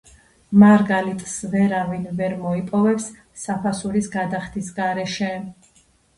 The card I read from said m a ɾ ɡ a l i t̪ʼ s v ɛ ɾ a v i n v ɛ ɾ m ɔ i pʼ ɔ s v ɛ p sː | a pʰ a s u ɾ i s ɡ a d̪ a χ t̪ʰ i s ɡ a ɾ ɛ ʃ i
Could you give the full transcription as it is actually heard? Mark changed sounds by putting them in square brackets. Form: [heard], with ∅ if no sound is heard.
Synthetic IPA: m a ɾ ɡ a l i t̪ʼ s v ɛ ɾ a v i n v ɛ ɾ m ɔ i pʼ ɔ [∅] v ɛ p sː | a pʰ a s u ɾ i s ɡ a d̪ a χ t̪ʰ i s ɡ a ɾ ɛ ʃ [ɛ]